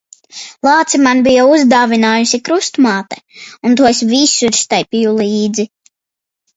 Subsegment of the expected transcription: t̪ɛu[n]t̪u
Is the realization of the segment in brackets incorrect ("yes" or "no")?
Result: no